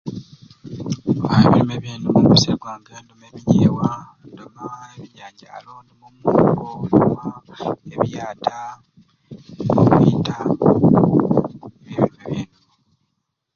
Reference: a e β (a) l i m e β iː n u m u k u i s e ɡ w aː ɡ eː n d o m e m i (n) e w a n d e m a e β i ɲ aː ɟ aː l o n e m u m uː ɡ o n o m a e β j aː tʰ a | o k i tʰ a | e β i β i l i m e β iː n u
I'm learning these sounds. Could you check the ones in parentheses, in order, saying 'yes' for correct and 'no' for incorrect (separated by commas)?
no, no